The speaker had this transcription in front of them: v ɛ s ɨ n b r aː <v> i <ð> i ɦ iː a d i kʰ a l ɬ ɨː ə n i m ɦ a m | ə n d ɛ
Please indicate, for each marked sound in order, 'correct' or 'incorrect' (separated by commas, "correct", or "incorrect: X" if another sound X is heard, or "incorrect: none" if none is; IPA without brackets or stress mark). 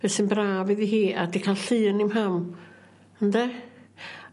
correct, correct